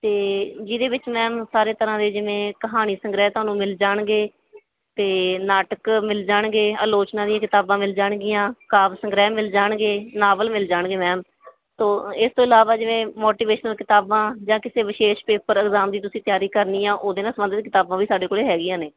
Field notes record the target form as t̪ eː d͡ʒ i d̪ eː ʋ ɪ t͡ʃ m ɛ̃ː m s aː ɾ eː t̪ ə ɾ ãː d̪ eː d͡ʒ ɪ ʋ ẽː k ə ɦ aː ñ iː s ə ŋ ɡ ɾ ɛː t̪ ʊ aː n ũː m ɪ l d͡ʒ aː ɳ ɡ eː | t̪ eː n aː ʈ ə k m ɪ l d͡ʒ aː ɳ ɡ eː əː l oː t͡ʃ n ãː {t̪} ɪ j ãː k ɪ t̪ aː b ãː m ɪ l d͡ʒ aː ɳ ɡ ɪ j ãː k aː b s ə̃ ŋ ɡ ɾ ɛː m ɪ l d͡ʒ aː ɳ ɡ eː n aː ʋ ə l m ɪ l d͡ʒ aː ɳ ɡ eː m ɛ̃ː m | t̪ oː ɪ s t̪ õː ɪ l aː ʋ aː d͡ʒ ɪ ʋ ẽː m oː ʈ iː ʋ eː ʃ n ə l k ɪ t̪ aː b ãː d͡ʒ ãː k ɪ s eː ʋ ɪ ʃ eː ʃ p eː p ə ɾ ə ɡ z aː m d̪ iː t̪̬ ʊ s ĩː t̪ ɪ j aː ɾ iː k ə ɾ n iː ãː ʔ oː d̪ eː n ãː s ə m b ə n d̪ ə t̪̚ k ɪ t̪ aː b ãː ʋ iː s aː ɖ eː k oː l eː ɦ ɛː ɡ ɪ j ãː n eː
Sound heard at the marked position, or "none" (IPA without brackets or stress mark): d̪